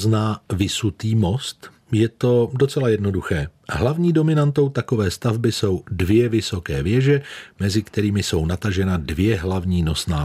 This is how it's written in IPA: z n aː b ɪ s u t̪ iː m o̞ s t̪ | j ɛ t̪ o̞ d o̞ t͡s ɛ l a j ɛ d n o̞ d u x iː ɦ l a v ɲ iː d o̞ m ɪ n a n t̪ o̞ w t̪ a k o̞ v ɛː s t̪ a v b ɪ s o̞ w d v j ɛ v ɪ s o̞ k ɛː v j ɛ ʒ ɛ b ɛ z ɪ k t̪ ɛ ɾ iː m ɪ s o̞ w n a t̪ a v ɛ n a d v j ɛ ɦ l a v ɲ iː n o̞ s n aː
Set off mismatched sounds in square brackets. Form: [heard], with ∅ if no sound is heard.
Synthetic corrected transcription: z n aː [v] ɪ s u t̪ iː m o̞ s t̪ | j ɛ t̪ o̞ d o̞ t͡s ɛ l a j ɛ d n o̞ d u x [ɛː] ɦ l a v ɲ iː d o̞ m ɪ n a n t̪ o̞ w t̪ a k o̞ v ɛː s t̪ a v b ɪ s o̞ w d v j ɛ v ɪ s o̞ k ɛː v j ɛ ʒ ɛ [m] ɛ z ɪ k t̪ ɛ ɾ iː m ɪ s o̞ w n a t̪ a [ʒ] ɛ n a d v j ɛ ɦ l a v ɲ iː n o̞ s n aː